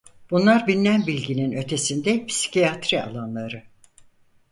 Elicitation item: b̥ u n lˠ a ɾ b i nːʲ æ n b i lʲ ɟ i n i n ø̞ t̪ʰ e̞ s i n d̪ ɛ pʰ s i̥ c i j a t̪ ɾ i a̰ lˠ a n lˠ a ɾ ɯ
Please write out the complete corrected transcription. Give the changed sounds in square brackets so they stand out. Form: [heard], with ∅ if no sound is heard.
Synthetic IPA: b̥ u n lˠ a ɾ b i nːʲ æ n b i lʲ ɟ i n i n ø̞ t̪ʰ e̞ s i n d̪ ɛ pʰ s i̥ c i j a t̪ ɾ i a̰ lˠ a n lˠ a ɾ ɯ

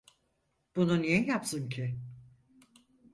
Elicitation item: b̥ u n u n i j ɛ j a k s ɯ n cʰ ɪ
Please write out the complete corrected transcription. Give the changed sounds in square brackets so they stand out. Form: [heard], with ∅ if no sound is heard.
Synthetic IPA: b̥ u n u n i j ɛ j a [p] s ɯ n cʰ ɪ

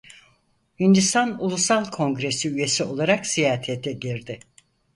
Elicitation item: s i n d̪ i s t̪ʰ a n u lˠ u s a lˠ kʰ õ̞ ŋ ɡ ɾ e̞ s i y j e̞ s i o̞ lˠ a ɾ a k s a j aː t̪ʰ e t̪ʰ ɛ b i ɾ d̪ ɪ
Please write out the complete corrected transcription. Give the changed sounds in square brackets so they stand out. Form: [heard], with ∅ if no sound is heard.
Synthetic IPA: [h] i n d̪ i s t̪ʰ a n u lˠ u s a lˠ kʰ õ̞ ŋ ɡ ɾ e̞ s i y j e̞ s i o̞ lˠ a ɾ a k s [i] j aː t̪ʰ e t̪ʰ ɛ [ɟ] i ɾ d̪ ɪ

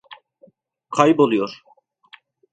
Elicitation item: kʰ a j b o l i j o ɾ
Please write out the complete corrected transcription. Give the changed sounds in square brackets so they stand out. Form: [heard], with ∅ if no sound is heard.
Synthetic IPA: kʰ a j b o l i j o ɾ

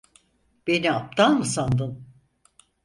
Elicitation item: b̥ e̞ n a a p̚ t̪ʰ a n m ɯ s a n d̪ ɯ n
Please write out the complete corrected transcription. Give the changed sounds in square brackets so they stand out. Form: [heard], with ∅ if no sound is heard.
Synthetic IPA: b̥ e̞ n [i] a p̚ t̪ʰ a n m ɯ s a n d̪ ɯ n

